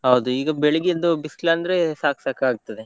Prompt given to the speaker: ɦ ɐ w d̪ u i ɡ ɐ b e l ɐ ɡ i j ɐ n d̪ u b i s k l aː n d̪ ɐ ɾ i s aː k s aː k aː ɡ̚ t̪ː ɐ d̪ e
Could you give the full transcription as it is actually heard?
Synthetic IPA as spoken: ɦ ɐ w d̪ u iː ɡ ɐ b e ɭ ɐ ɡ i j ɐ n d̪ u b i s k l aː n d̪ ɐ ɾ e s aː k s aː k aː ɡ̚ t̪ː ɐ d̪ e